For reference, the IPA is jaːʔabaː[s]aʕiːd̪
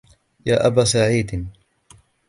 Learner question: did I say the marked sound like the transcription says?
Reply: yes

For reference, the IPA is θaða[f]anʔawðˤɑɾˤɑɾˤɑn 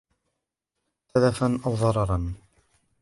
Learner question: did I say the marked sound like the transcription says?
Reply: yes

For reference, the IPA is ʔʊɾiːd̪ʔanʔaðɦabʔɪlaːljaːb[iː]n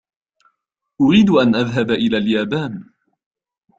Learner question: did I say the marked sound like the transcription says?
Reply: no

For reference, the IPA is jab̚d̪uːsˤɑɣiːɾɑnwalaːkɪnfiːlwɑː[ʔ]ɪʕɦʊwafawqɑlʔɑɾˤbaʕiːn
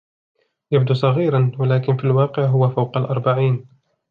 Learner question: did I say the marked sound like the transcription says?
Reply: no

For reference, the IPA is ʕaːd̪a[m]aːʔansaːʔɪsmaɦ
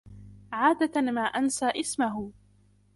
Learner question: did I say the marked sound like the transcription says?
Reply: yes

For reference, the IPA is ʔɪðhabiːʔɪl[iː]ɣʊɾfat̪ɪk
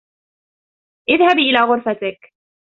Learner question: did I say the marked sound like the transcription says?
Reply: no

